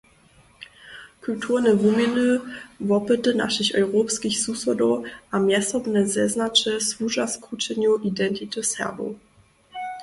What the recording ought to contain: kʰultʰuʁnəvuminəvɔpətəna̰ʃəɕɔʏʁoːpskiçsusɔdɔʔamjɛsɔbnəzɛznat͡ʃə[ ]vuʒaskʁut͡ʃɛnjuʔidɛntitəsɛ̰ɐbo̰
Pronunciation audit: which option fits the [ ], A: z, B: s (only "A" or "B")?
B